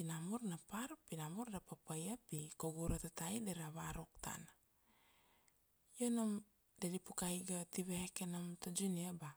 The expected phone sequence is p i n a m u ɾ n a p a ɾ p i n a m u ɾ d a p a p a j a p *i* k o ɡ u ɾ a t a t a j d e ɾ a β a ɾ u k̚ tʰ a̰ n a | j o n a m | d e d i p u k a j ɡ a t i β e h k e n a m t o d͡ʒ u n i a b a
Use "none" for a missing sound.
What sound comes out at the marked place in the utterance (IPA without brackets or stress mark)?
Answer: i